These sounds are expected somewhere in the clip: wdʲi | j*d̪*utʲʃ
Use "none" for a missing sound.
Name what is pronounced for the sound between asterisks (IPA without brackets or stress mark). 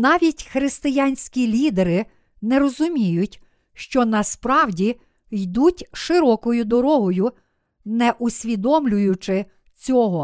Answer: d̪